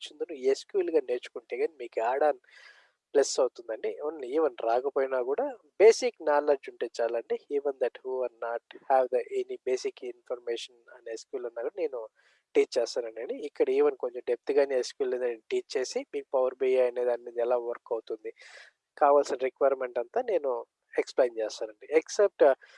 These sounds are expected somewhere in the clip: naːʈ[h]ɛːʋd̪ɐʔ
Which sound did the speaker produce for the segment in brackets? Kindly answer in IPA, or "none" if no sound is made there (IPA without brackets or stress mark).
h